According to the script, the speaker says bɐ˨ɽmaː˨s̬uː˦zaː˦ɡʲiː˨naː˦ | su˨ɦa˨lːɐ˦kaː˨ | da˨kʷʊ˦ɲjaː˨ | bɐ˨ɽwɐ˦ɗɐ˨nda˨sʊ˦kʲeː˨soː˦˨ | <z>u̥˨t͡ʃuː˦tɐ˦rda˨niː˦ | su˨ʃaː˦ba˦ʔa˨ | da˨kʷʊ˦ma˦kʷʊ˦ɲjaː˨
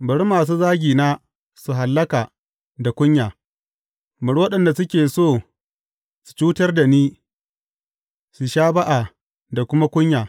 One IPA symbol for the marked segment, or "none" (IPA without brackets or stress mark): s